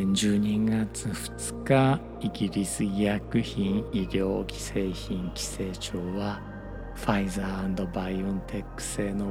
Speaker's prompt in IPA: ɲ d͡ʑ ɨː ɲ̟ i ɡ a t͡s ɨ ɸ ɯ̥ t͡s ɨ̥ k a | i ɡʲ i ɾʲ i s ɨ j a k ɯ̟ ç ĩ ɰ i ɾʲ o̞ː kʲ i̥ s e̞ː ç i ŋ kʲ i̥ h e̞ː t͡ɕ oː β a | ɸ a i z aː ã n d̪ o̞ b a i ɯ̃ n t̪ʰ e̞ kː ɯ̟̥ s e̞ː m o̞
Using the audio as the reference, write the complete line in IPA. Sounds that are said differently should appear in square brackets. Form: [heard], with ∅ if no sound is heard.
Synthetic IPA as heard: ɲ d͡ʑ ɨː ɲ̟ i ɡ a t͡s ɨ ɸ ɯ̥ t͡s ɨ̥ k a | i ɡʲ i ɾʲ i s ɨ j a k ɯ̟ ç ĩ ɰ i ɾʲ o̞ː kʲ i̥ s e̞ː ç [ĩ] ŋ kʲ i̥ [s] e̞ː t͡ɕ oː β a | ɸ a i z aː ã n d̪ o̞ b a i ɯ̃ n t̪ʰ e̞ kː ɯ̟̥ s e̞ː [n] o̞